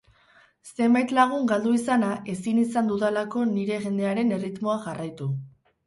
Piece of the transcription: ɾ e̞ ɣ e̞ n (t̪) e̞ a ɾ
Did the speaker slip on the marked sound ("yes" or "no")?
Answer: yes